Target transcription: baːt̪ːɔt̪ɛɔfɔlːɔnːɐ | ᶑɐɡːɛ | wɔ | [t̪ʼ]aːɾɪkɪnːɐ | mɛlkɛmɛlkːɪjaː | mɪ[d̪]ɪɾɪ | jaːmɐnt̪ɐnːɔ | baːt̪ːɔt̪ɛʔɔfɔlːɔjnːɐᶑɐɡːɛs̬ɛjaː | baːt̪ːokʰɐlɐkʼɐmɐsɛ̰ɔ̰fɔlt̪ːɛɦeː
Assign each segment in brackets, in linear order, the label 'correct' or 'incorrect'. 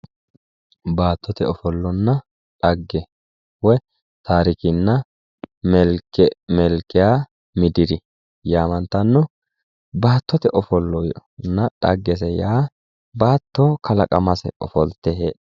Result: incorrect: t̪, correct

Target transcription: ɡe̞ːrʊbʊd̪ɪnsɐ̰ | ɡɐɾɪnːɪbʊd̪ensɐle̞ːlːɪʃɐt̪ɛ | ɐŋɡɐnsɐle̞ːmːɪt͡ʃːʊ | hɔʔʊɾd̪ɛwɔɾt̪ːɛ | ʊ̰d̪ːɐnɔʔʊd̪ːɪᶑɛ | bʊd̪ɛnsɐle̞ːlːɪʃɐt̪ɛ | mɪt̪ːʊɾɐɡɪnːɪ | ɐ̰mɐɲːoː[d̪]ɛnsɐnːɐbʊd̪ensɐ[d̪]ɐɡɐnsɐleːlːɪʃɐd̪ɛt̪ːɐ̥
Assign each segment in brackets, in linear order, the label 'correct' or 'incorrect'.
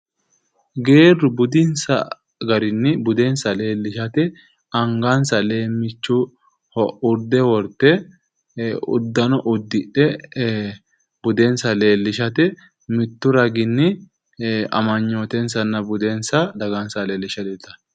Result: incorrect: t̪, correct

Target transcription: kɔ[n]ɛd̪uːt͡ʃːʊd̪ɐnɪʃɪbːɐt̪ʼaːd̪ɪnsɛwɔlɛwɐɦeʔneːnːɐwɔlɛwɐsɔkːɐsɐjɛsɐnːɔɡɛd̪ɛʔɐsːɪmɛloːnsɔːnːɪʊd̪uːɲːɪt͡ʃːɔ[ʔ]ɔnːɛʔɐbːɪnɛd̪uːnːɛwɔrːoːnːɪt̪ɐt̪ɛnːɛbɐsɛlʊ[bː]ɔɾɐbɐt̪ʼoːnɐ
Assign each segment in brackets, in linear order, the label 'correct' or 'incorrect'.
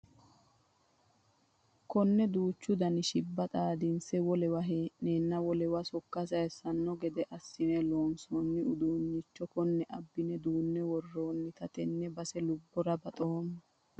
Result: incorrect: nː, incorrect: k, correct

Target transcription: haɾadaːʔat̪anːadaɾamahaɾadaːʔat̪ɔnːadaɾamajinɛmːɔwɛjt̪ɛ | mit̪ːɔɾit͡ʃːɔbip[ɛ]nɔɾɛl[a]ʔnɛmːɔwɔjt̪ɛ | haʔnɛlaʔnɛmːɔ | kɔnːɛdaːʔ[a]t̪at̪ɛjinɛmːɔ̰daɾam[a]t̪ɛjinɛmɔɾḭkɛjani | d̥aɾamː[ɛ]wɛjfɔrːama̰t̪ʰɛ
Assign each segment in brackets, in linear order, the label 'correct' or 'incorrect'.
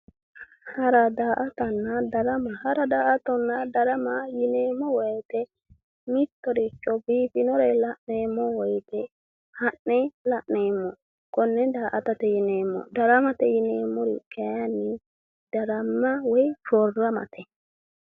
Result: incorrect: i, correct, correct, correct, incorrect: a

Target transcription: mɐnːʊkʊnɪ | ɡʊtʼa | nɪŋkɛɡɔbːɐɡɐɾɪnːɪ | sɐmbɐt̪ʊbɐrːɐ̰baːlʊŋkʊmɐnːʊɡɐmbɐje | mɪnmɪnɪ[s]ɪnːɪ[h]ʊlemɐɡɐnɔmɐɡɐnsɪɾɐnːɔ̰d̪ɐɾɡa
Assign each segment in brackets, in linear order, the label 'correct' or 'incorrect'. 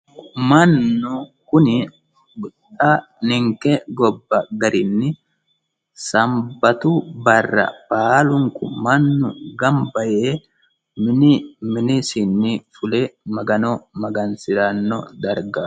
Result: correct, incorrect: f

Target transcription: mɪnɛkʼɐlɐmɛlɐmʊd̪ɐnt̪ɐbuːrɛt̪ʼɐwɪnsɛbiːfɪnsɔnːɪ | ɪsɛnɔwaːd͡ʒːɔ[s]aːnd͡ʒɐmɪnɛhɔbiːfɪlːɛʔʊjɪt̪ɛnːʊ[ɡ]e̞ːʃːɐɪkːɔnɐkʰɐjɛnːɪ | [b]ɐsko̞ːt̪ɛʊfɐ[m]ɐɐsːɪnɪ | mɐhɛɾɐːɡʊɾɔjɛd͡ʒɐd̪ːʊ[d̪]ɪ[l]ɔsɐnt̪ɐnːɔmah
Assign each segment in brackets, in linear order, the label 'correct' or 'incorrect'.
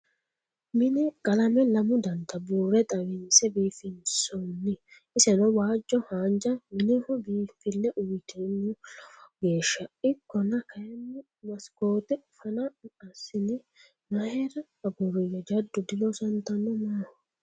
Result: incorrect: h, correct, incorrect: m, incorrect: n, correct, correct

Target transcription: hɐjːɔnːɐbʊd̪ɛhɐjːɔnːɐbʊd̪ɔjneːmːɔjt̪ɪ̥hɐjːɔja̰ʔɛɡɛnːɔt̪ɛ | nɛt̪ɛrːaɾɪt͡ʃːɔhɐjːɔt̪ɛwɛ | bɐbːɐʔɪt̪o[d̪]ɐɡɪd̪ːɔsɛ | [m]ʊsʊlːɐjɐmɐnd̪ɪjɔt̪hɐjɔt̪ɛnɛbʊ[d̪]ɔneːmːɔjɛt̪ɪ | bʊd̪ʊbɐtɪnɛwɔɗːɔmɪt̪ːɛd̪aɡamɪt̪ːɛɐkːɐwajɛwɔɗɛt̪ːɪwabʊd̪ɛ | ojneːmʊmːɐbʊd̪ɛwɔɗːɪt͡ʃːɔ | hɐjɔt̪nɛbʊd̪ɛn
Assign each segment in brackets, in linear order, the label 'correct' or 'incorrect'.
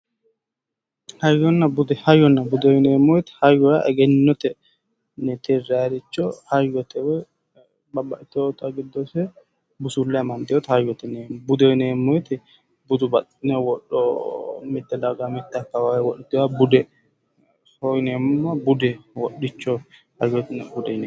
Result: incorrect: t̪, incorrect: b, correct

